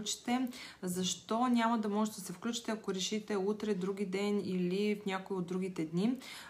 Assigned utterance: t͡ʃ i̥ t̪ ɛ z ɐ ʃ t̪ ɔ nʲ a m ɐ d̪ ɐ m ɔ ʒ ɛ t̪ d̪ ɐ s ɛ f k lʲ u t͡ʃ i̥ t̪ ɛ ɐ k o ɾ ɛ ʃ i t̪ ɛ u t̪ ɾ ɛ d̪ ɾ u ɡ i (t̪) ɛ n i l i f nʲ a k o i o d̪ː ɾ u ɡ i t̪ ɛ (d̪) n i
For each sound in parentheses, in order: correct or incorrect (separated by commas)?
incorrect, correct